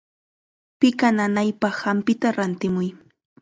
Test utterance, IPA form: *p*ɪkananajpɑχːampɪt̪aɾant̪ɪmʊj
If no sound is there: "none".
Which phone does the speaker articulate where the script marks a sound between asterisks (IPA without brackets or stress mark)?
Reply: p